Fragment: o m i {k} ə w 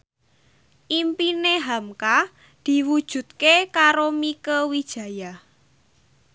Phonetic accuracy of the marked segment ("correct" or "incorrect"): correct